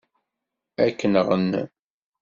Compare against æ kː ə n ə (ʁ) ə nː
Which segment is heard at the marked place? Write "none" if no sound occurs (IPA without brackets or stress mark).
ʁ